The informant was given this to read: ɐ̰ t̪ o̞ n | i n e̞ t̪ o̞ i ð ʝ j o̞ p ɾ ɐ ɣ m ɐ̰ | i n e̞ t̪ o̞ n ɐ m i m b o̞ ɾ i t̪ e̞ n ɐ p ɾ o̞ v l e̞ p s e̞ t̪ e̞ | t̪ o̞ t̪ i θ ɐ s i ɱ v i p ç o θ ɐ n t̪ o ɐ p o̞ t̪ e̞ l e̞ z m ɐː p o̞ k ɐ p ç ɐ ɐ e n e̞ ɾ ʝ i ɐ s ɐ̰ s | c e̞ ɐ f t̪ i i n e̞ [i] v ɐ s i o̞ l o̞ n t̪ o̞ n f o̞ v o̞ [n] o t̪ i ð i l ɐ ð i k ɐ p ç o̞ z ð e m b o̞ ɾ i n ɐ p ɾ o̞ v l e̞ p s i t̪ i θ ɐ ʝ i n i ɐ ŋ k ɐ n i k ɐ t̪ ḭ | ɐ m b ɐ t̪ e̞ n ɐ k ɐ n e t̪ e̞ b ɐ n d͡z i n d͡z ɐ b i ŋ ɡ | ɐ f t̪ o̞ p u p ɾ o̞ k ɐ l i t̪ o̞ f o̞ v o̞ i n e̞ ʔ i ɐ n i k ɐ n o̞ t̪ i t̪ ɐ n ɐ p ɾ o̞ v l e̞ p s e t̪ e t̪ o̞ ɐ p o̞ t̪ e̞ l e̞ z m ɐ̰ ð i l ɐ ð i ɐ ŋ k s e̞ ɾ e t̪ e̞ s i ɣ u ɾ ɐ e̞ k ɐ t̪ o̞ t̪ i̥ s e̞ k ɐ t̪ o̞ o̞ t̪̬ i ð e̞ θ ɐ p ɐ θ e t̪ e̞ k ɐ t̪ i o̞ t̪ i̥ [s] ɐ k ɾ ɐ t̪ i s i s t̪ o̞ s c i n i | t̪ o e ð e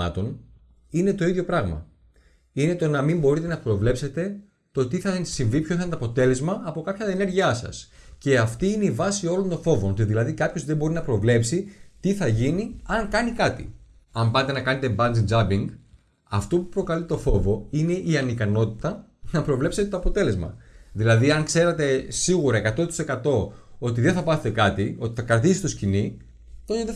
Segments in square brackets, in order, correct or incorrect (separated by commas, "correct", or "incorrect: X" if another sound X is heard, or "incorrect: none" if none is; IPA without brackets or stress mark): correct, correct, incorrect: θ